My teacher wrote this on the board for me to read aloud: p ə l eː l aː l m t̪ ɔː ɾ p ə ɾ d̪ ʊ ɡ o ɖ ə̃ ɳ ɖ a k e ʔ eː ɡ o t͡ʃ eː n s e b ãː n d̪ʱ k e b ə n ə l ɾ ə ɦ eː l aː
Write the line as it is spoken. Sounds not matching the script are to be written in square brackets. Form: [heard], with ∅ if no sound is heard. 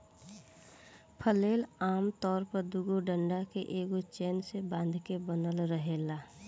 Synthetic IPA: [pʰ] ə l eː l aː [∅] m t̪ ɔː ɾ p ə ɾ d̪ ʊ ɡ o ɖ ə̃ ɳ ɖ a k e ʔ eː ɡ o t͡ʃ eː n s e b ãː n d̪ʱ k e b ə n ə l ɾ ə ɦ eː l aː